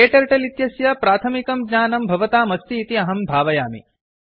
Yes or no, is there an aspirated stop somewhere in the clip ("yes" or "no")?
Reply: yes